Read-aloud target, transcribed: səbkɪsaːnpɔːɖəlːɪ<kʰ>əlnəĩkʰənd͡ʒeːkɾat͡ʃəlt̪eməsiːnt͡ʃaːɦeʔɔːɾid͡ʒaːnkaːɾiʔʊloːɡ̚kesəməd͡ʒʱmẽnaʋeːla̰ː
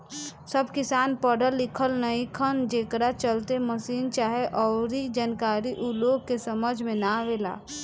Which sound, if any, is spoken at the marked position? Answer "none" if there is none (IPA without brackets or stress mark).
kʰ